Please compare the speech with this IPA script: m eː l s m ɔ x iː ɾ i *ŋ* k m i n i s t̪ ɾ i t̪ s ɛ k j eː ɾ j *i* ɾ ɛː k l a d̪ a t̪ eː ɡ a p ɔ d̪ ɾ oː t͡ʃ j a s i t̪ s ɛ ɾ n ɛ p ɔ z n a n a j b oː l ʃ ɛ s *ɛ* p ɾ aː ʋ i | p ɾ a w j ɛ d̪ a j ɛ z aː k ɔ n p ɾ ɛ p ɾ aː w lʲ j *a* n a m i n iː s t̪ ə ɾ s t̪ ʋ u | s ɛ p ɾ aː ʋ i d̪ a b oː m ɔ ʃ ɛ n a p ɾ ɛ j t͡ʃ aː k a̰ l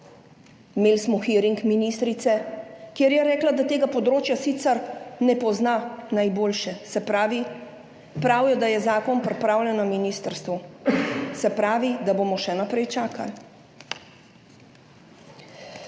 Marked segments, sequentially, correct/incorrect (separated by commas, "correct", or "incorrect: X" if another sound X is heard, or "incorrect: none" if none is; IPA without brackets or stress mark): correct, incorrect: ɛ, correct, incorrect: ɛ